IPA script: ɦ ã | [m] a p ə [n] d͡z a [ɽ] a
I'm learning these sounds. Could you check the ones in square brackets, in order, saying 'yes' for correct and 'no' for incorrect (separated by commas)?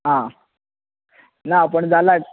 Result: no, no, no